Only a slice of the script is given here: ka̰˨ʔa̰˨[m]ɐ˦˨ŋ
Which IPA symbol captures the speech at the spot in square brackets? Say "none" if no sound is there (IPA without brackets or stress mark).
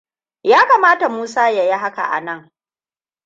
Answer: n